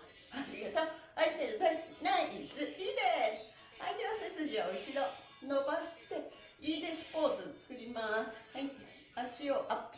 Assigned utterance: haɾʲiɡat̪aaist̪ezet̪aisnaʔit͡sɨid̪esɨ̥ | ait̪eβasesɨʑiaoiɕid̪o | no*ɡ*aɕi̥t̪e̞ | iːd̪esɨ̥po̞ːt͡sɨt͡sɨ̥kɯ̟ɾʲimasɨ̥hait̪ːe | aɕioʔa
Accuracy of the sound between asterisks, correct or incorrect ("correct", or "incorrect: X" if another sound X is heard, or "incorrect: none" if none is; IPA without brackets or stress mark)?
incorrect: b